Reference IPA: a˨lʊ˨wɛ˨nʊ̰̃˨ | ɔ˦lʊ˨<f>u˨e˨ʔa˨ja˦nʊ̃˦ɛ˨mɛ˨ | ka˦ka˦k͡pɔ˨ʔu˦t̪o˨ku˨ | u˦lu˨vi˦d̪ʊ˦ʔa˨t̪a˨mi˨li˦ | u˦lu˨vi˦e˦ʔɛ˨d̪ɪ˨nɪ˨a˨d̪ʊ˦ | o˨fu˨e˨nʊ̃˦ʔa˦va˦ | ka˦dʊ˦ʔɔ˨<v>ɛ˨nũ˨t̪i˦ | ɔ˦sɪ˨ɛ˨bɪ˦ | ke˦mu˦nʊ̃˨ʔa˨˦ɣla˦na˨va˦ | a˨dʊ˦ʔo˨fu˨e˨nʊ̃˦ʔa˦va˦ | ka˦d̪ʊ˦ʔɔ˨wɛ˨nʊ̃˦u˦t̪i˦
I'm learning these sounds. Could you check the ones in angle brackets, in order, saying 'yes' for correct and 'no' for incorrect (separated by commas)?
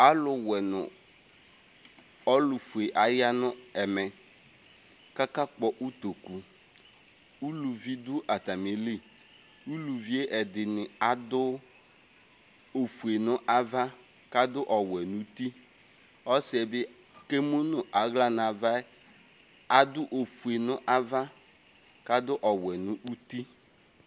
yes, no